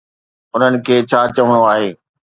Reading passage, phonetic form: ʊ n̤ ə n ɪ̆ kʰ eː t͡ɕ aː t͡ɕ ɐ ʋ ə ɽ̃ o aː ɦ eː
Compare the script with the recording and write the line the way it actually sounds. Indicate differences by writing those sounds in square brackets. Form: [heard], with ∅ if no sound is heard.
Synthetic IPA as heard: ʊ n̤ ə n ɪ̆ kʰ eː [t͡ɕʰ] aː t͡ɕ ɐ ʋ ə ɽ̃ o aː ɦ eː